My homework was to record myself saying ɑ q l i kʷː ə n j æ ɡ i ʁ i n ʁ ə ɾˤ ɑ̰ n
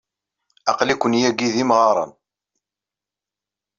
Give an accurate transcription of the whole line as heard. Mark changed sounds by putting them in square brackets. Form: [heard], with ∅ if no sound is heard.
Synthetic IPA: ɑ q l i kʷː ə n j æ ɡ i [ð] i [m] ʁ [ɑ] ɾˤ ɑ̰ n